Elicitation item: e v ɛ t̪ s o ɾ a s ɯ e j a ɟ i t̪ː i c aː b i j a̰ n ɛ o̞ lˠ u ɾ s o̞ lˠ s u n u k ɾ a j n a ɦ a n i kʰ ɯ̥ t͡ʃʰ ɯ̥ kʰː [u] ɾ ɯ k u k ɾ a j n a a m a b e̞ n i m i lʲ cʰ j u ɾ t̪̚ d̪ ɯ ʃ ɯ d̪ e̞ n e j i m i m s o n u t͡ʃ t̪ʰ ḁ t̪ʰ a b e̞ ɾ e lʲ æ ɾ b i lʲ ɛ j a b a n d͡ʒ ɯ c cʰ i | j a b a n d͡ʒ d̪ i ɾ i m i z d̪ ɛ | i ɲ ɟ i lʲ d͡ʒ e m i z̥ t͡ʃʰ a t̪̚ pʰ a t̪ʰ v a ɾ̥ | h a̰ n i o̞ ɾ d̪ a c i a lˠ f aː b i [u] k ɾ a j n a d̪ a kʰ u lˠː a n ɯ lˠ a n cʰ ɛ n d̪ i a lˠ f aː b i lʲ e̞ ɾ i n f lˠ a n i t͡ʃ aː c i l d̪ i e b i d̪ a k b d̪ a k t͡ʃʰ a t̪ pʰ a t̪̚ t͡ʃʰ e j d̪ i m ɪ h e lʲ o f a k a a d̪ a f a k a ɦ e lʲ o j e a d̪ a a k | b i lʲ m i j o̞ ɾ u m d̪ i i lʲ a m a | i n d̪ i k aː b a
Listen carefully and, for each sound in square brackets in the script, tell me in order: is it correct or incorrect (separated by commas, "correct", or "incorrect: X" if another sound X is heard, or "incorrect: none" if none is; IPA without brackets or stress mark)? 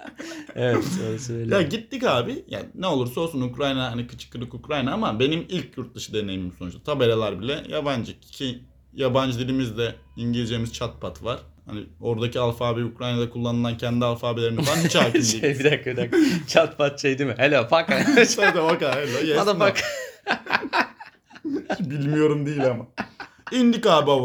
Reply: incorrect: ɯ, correct